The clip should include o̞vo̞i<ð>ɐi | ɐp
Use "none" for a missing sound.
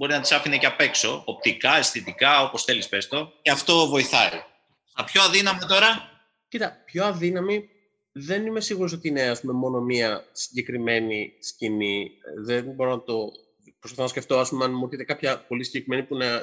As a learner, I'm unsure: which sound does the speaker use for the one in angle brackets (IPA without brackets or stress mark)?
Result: θ